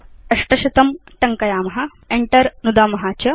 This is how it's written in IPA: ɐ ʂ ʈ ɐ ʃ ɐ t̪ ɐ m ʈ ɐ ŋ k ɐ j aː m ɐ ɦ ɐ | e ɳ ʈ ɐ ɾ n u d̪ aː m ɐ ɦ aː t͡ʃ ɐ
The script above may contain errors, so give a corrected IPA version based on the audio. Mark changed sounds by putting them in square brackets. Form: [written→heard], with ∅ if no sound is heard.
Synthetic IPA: ɐ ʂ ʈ ɐ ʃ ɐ t̪ ɐ m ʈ ɐ ŋ k ɐ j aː m ɐ ɦ ɐ | e ɳ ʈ ɐ ɾ n u d̪ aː m ɐ ɦ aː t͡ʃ ɐ

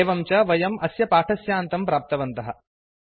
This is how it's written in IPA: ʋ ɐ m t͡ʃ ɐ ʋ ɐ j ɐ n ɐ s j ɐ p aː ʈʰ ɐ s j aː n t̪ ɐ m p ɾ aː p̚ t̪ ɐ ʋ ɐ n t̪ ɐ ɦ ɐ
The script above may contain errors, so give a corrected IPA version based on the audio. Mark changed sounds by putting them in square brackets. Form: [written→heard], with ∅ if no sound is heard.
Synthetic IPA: ʋ ɐ m t͡ʃ ɐ ʋ ɐ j ɐ [n→m] ɐ s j ɐ p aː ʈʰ ɐ s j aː n t̪ ɐ m p ɾ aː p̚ t̪ ɐ ʋ ɐ n t̪ ɐ ɦ ɐ

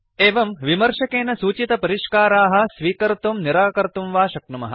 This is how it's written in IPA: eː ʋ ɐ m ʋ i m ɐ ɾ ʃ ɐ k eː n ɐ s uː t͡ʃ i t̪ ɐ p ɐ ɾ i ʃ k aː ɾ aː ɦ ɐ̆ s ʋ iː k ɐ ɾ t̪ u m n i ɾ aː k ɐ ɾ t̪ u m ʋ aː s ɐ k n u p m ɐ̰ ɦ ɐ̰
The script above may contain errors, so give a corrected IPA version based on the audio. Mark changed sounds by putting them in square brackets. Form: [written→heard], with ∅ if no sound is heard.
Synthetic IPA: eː ʋ ɐ m ʋ i m ɐ ɾ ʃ ɐ k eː n ɐ s uː t͡ʃ i t̪ ɐ p ɐ ɾ i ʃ k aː ɾ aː ɦ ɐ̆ s ʋ iː k ɐ ɾ t̪ u m n i ɾ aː k ɐ ɾ t̪ u m ʋ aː [s→ʃ] ɐ k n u [p→∅] m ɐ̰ ɦ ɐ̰

